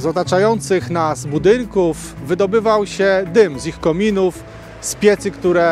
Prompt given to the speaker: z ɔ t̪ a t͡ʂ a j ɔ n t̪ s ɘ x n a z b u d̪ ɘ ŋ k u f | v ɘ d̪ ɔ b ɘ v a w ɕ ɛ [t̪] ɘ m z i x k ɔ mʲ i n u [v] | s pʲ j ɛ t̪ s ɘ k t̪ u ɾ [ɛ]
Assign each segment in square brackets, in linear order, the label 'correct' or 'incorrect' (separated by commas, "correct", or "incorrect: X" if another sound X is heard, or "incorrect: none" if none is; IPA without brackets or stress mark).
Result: incorrect: d̪, incorrect: f, correct